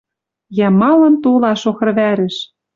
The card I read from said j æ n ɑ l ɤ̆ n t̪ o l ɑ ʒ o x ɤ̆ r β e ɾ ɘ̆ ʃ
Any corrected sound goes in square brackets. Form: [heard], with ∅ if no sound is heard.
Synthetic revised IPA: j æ [m] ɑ l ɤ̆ n t̪ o l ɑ [ʃ] o x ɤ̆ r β [æ] ɾ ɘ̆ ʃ